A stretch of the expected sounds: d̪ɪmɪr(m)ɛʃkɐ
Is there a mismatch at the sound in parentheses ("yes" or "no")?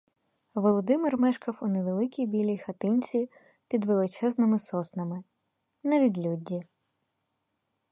no